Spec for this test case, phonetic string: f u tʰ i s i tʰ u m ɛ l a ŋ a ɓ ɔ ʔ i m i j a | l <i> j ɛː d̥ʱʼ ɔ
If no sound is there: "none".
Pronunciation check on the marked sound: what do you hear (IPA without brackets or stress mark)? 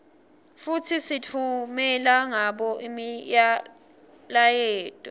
a